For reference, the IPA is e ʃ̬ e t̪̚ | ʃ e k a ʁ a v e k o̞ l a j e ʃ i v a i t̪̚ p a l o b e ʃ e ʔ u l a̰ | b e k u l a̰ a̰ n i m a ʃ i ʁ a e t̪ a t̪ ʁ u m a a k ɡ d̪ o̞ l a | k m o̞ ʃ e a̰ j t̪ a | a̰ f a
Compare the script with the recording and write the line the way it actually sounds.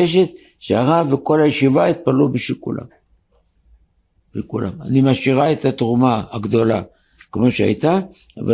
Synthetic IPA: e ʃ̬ e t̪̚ | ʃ e a ʁ a v e k o̞ l a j e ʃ i v a i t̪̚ p a l u b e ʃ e k u l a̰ | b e k u l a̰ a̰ n i m a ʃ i ʁ a e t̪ a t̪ ʁ u m a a ɡ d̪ o̞ l a | k m o̞ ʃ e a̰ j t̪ a | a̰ v a